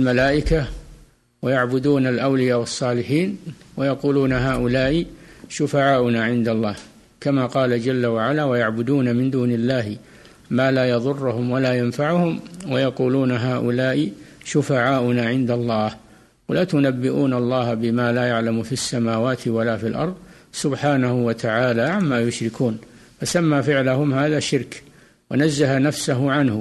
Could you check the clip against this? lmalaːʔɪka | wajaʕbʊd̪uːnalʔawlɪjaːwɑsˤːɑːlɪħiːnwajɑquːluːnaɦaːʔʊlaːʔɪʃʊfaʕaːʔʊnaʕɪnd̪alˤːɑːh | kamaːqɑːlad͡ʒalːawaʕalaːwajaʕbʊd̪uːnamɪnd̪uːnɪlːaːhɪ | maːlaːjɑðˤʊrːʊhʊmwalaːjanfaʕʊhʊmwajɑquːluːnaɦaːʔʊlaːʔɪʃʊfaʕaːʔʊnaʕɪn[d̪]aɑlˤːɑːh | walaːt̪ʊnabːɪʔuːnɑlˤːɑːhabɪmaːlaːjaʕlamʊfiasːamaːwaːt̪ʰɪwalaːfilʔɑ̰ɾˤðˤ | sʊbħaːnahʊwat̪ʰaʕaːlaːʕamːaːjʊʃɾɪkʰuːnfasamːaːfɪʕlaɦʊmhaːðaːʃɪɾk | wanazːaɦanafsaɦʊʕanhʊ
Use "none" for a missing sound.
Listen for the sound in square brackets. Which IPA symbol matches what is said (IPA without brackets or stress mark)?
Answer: d̪